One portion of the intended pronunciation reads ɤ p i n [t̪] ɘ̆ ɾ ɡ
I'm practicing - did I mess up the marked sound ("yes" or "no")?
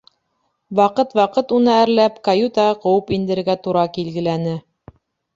yes